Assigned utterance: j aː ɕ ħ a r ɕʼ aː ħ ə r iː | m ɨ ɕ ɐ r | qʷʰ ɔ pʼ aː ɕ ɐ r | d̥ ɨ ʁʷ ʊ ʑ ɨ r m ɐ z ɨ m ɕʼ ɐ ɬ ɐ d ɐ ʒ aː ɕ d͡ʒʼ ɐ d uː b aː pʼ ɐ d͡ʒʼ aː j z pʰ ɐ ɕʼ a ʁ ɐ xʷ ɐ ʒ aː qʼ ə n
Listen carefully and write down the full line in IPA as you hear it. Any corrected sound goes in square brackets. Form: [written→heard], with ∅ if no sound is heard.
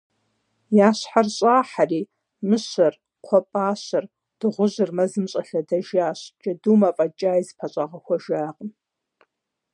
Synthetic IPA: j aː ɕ ħ a r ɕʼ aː ħ [ə→a] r iː | m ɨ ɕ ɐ r | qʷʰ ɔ pʼ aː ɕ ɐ r | d̥ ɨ ʁʷ ʊ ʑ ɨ r m ɐ z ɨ m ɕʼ ɐ ɬ ɐ d ɐ ʒ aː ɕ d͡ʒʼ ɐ d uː [b→m] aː pʼ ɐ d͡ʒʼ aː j z pʰ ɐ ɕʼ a ʁ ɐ xʷ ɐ ʒ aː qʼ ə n

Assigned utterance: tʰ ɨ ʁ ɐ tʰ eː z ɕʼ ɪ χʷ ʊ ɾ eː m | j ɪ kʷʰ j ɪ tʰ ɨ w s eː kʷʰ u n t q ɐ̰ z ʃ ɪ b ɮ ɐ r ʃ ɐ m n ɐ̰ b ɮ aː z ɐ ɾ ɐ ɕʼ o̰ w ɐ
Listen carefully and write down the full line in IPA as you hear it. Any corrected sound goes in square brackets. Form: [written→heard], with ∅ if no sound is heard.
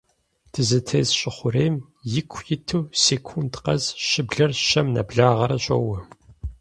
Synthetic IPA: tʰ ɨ [ʁ→z] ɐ tʰ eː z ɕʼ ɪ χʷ ʊ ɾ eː m | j ɪ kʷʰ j ɪ tʰ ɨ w s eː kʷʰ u n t q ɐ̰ z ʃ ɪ b ɮ ɐ r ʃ ɐ m n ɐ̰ b ɮ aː [z→ʁ] ɐ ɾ ɐ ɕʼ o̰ w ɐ

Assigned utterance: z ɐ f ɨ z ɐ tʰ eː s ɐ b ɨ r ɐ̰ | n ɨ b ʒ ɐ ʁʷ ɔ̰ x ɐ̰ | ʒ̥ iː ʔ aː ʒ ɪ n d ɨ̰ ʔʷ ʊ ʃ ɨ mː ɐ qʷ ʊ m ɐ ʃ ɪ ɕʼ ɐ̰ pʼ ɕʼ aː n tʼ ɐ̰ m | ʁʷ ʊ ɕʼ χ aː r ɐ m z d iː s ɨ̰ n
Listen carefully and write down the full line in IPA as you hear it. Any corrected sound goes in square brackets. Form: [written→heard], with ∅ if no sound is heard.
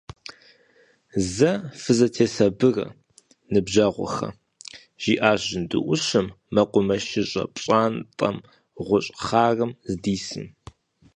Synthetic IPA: z ɐ f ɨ z ɐ tʰ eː s ɐ b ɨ r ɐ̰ | n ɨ b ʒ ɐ ʁʷ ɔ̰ x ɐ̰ | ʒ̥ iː ʔ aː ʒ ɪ n d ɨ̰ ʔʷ ʊ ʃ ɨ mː ɐ qʷ ʊ m ɐ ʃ ɪ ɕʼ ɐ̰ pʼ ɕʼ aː n tʼ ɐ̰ m | ʁʷ ʊ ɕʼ χ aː r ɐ m z d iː s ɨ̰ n

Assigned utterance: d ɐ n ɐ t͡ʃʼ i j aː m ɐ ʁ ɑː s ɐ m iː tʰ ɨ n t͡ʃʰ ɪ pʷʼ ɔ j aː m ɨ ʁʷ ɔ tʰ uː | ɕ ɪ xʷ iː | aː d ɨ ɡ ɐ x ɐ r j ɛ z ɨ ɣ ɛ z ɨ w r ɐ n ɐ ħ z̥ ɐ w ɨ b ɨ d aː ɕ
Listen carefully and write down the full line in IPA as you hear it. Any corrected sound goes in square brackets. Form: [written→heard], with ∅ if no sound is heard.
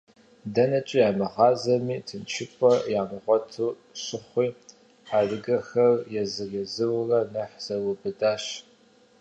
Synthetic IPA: d ɐ n ɐ t͡ʃʼ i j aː m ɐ ʁ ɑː [s→z] ɐ m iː tʰ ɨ n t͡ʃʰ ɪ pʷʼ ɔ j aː m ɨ ʁʷ ɔ tʰ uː | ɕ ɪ [xʷ→χʷ] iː | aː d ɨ ɡ ɐ x ɐ r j ɛ z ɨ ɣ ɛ z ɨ w r ɐ n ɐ ħ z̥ ɐ w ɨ b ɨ d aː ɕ

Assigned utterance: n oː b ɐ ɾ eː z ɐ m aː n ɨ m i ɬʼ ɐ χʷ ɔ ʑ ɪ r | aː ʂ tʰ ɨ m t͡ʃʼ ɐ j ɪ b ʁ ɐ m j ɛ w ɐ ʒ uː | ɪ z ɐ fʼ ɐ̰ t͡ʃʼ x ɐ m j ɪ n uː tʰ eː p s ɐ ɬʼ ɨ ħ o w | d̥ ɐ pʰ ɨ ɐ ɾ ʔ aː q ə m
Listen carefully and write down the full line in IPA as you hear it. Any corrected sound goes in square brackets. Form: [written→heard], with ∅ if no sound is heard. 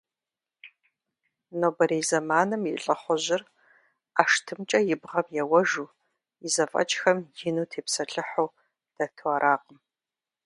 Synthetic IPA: n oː b ɐ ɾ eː z ɐ m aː n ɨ m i ɬʼ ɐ χʷ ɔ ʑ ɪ r | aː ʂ tʰ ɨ m t͡ʃʼ ɐ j ɪ b ʁ ɐ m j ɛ w ɐ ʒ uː | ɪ z ɐ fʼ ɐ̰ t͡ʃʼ x ɐ m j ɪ n uː tʰ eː p s ɐ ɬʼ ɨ ħ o w | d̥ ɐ [pʰ→tʰ] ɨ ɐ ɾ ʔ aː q ə m

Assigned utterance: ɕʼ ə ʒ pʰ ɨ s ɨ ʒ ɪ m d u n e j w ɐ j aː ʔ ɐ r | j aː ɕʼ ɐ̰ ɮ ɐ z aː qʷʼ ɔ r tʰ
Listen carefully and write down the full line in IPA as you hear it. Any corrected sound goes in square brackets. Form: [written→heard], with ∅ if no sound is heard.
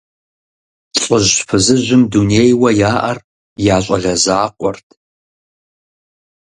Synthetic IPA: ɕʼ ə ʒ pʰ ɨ [s→z] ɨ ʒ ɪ m d u n e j w ɐ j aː ʔ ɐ r | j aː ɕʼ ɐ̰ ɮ ɐ z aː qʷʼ ɔ r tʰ

